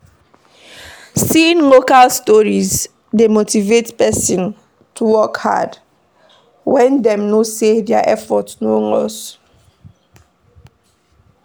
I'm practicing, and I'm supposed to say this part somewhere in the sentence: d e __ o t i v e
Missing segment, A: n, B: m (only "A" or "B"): B